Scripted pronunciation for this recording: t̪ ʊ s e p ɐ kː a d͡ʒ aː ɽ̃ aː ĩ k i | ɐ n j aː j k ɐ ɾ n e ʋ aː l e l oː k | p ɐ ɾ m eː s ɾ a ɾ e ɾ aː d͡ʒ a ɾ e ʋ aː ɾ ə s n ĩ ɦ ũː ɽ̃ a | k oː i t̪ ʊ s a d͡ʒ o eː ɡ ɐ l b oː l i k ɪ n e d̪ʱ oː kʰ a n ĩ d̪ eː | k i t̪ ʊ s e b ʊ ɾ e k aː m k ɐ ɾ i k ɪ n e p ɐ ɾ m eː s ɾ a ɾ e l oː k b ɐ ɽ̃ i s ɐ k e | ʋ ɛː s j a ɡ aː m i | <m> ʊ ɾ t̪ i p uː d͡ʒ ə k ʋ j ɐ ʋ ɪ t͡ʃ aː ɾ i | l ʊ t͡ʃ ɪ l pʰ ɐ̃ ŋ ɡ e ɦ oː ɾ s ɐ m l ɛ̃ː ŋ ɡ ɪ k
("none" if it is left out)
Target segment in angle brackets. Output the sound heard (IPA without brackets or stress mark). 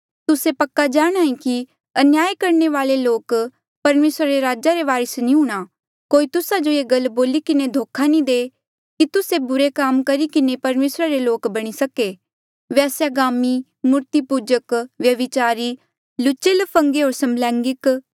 m